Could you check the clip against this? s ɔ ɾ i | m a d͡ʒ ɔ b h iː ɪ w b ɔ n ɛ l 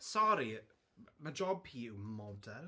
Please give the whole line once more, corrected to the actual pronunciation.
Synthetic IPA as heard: s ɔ ɾ i | m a d͡ʒ ɔ b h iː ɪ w m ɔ d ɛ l